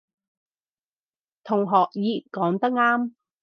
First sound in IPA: t̪ʰ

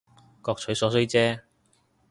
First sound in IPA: k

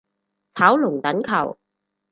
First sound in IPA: t͡sʰ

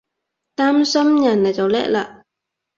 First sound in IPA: t̪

